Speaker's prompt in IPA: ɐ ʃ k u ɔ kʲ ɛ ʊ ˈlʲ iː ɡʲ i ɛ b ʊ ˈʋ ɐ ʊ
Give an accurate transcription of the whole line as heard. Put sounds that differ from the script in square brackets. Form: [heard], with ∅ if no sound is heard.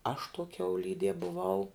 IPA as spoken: ɐ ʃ [t] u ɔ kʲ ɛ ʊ ˈlʲ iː [dʲ] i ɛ b ʊ ˈʋ ɐ ʊ